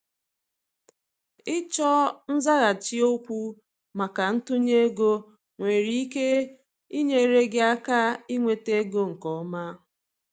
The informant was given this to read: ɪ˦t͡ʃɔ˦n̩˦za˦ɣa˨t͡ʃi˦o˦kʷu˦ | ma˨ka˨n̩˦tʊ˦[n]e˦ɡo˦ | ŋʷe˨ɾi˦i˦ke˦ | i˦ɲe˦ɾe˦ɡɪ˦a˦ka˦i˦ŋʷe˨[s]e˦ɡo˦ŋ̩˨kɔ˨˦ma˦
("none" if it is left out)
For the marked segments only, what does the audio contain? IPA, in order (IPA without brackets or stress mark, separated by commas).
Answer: ɲ, t